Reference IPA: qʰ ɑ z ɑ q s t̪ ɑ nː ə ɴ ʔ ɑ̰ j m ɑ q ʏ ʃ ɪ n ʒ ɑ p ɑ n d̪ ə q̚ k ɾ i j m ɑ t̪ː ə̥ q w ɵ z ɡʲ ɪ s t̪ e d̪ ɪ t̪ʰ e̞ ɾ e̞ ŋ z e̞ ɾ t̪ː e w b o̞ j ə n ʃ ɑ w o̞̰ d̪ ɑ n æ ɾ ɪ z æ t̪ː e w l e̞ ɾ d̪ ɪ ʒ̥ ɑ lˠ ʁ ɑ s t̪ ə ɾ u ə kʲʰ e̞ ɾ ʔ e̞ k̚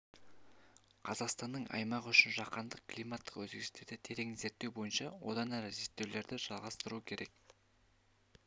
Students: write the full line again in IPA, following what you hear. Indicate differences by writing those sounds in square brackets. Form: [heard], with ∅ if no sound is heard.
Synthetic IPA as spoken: qʰ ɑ z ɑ q s t̪ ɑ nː ə ɴ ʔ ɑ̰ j m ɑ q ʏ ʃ ɪ n ʒ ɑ [q] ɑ n d̪ ə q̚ k [l] i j m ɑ t̪ː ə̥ q w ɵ z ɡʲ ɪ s t̪ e d̪ ɪ t̪ʰ e̞ ɾ e̞ ŋ z e̞ ɾ t̪ː e w b o̞ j ə n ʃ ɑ w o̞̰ d̪ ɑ n æ ɾ ɪ z [e] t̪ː e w l e̞ ɾ d̪ ɪ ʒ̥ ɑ lˠ ʁ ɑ s t̪ ə ɾ u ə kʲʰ e̞ ɾ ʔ e̞ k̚